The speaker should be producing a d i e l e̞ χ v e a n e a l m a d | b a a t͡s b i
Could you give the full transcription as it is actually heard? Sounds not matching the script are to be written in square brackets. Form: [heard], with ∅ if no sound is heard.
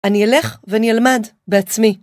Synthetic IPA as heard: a [n] i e l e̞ χ v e a n [i] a l m a d | b [e] a t͡s [m] i